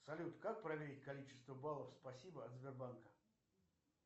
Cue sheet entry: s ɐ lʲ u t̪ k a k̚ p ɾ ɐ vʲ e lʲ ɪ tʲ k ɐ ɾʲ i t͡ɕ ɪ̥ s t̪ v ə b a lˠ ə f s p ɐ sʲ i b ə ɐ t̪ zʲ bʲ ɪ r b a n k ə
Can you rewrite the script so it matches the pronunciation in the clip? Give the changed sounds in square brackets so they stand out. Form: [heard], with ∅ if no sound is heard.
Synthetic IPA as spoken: s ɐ lʲ u t̪ k a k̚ p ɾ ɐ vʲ e [ɾʲ] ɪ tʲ k ɐ [lʲ] i t͡ɕ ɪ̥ s t̪ v ə b a lˠ ə f s p ɐ sʲ i b ə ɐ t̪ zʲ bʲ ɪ r b a n k ə